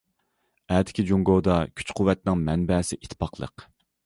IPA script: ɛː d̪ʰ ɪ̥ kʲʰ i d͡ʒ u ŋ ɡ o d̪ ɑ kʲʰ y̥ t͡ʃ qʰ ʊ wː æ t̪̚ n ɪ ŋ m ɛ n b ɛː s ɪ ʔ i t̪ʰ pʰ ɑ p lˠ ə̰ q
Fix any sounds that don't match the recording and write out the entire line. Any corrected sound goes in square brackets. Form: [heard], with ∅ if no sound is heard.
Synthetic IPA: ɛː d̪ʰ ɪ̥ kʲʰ i d͡ʒ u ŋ ɡ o d̪ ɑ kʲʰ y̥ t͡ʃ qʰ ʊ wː [ɛ] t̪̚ n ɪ ŋ m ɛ n b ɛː s ɪ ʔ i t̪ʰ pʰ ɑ [q] lˠ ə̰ q